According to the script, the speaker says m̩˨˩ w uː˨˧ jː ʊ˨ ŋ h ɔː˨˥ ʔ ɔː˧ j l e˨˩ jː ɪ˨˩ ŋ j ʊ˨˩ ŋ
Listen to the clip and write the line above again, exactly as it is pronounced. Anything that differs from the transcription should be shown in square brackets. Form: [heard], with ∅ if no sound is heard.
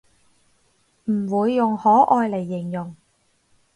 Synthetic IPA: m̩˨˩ w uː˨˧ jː ʊ˨ ŋ h ɔː˨˥ ʔ ɔː˧ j l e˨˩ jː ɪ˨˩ ŋ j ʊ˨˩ ŋ